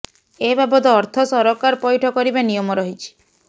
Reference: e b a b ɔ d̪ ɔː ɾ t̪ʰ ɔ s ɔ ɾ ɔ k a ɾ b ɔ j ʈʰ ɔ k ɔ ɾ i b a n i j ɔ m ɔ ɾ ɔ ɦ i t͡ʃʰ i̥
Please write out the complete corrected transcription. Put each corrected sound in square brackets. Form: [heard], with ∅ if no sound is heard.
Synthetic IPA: e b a b ɔ d̪ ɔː ɾ t̪ʰ ɔ s ɔ ɾ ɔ k a ɾ [p] ɔ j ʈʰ ɔ k ɔ ɾ i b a n i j ɔ m ɔ ɾ ɔ ɦ i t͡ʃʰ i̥